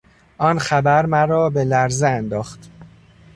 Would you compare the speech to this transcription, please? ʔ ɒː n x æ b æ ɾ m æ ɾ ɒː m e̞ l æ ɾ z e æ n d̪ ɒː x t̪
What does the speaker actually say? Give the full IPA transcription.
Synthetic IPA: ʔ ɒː n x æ b æ ɾ m æ ɾ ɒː b e̞ l æ ɾ z e æ n d̪ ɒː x t̪